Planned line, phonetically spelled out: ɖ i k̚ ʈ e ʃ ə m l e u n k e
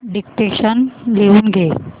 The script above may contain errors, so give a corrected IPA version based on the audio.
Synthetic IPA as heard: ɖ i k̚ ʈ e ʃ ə n l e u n ɡ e